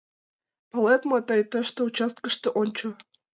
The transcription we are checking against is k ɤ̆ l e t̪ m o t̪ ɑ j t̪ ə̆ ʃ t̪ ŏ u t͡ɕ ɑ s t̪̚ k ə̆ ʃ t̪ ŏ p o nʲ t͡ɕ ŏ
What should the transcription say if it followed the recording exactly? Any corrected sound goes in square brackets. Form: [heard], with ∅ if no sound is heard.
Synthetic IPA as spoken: [p] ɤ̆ l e t̪ m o t̪ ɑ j t̪ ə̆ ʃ t̪ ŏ u t͡ɕ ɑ s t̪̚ k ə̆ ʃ t̪ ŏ [ʔ] o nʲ t͡ɕ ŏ